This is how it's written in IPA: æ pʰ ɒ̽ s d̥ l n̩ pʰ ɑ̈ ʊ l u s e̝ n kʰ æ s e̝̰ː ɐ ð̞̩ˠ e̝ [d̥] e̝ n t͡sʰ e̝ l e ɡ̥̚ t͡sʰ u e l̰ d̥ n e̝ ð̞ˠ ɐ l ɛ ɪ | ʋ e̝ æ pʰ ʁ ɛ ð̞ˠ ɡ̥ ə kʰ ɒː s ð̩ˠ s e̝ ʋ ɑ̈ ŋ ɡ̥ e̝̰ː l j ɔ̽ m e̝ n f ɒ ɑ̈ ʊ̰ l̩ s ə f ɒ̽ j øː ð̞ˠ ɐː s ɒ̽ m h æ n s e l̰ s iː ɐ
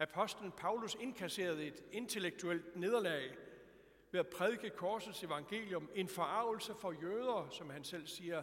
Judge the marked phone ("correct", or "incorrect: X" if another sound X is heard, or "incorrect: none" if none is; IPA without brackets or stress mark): correct